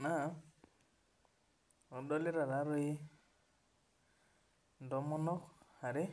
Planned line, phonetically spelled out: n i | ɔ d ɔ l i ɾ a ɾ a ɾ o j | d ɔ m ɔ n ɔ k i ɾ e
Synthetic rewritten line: n a | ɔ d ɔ l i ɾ a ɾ a ɾ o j | d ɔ m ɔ n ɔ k a ɾ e